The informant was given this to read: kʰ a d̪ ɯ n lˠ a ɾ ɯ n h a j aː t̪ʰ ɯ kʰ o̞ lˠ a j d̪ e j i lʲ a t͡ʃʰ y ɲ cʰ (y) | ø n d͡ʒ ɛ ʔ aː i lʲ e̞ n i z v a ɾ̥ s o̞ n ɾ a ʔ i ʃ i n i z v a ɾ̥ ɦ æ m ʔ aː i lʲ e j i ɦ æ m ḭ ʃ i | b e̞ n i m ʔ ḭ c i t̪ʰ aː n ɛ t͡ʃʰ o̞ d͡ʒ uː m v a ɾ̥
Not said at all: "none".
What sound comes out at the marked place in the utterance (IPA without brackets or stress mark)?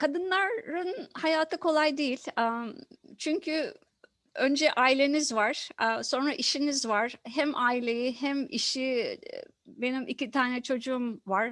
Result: y